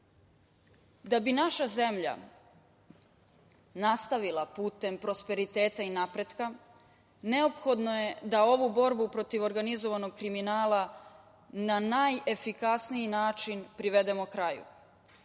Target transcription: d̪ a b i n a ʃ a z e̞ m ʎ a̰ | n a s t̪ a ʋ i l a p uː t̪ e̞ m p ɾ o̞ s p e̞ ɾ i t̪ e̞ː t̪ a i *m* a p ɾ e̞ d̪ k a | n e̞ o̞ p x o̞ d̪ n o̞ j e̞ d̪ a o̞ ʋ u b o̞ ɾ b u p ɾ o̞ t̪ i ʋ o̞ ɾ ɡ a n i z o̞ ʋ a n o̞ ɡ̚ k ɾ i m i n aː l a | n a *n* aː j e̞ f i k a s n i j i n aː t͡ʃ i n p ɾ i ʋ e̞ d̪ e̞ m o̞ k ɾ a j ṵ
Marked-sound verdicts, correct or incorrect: incorrect: n, correct

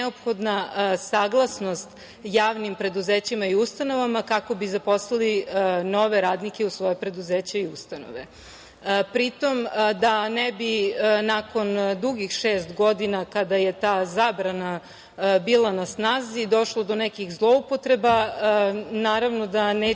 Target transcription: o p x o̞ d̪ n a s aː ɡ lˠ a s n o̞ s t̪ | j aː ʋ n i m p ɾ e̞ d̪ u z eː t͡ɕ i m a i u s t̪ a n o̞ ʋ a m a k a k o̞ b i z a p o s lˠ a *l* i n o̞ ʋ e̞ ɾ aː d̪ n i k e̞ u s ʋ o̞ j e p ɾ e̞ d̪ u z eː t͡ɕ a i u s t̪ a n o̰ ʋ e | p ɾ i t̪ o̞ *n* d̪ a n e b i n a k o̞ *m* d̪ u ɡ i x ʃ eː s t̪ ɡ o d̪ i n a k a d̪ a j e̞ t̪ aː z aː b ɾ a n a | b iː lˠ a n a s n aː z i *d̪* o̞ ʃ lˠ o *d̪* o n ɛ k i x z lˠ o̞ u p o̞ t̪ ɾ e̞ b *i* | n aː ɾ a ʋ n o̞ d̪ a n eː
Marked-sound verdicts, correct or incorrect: correct, incorrect: m, incorrect: n, correct, correct, incorrect: a

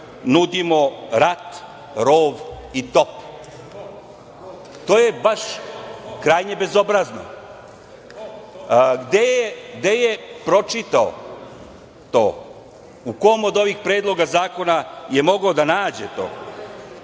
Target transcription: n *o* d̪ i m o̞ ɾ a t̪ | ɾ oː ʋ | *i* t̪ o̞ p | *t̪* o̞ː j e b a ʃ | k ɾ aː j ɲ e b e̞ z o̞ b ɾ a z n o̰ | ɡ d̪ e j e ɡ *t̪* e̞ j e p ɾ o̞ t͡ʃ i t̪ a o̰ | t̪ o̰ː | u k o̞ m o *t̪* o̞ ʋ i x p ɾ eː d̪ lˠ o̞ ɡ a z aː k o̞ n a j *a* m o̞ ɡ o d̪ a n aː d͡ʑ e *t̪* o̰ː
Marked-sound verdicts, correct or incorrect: incorrect: u, correct, correct, incorrect: d̪, incorrect: d̪, incorrect: e, correct

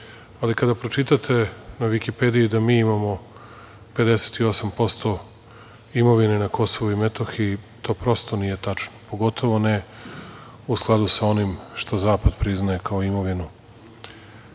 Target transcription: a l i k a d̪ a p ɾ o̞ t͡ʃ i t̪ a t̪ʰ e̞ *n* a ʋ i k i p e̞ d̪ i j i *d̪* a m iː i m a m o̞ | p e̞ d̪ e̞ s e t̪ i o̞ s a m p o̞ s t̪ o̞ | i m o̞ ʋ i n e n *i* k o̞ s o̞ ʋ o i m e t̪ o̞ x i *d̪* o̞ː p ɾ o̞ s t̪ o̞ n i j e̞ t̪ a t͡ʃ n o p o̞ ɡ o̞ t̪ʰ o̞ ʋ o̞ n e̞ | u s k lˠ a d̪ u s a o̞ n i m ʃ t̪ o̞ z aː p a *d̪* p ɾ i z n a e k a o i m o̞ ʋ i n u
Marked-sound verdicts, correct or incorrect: correct, correct, incorrect: a, incorrect: t̪, correct

